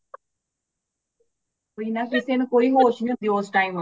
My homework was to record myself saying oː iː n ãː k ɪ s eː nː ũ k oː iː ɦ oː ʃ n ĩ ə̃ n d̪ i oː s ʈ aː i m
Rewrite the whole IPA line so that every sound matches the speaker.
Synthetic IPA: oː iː n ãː k ɪ s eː n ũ k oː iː ɦ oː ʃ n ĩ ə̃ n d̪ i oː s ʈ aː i m